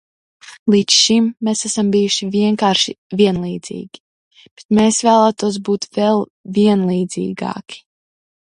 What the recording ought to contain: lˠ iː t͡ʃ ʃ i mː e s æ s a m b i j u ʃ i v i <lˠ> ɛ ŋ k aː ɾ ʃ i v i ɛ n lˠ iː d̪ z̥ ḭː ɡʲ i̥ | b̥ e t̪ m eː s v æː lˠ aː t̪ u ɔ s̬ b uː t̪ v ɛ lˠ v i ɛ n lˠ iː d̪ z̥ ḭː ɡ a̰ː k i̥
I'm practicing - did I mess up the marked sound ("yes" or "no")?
yes